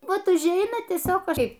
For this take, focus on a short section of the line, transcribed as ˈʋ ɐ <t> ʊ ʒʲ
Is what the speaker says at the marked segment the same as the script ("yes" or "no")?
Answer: yes